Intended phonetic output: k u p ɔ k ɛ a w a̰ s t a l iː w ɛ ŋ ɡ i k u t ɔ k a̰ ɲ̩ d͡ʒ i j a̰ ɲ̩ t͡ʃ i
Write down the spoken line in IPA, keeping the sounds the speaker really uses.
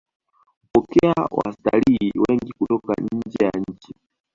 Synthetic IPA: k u p ɔ k ɛ a w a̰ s t a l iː w ɛ ŋ ɡ i k u t ɔ k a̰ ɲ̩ d͡ʒ ɛ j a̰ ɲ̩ t͡ʃ i